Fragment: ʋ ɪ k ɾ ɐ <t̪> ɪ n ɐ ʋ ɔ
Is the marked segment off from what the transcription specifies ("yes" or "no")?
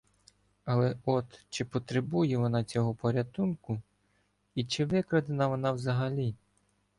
yes